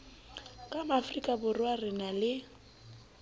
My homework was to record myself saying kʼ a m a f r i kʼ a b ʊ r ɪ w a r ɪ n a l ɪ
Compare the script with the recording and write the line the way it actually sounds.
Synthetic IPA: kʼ a m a f r i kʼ a b ʊ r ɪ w a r ɪ n a l ɪ